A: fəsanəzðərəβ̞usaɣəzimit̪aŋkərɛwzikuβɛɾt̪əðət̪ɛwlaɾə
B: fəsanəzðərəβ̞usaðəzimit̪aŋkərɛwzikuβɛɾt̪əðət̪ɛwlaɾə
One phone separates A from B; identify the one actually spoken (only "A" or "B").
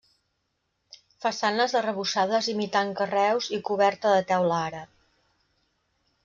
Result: B